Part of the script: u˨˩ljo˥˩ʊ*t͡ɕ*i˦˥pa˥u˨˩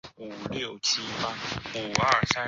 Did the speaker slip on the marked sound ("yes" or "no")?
yes